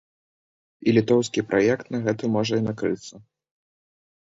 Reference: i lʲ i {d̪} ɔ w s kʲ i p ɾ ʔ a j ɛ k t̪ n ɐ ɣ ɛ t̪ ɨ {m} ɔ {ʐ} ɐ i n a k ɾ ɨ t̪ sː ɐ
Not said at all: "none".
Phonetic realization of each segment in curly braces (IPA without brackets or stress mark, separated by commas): t̪, m, ʐ